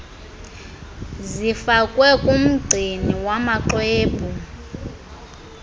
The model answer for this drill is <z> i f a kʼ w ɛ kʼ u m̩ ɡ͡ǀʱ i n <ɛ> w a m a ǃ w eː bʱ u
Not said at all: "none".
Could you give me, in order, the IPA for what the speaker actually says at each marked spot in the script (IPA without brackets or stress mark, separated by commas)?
z, i